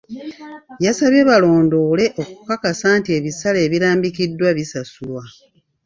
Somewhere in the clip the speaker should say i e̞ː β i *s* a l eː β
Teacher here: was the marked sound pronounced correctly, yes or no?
yes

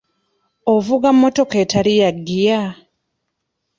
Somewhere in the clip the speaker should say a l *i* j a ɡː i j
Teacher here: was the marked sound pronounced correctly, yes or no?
yes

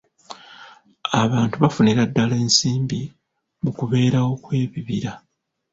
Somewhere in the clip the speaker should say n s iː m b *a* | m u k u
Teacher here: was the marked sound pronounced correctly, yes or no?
no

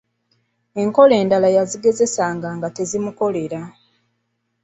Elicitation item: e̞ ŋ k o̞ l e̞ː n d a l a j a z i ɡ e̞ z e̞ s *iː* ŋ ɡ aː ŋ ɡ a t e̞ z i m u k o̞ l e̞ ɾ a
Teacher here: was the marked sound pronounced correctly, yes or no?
no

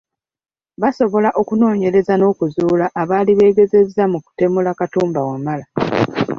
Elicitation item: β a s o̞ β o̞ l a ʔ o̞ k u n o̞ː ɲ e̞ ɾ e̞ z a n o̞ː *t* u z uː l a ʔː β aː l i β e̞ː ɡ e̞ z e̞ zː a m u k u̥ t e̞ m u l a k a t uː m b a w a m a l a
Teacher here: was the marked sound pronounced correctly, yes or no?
no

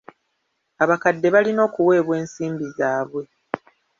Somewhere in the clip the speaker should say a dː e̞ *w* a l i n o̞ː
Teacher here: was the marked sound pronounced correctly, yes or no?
no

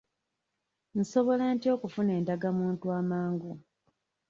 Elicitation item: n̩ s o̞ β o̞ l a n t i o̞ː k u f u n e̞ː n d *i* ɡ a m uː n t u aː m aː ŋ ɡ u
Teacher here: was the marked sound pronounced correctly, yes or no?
no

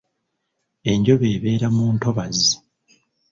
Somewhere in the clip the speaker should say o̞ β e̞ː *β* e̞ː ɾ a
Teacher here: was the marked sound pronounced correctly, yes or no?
yes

